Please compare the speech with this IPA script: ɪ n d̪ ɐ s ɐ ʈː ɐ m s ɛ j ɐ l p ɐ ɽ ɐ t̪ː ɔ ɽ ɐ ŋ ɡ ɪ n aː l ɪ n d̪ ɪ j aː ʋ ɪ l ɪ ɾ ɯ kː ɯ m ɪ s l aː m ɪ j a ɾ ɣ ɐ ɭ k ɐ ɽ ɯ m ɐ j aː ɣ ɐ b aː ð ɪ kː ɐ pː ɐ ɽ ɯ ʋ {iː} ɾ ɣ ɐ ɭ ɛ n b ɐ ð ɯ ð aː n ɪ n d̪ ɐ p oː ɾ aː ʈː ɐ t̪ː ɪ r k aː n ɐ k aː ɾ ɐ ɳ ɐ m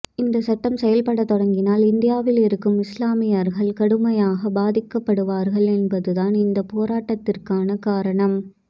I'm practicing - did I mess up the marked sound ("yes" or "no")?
yes